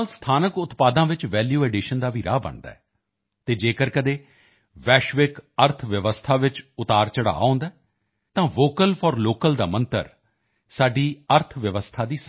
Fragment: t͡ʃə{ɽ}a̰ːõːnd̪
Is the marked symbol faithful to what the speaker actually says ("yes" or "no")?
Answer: yes